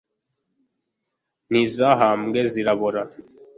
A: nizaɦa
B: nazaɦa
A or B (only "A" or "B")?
A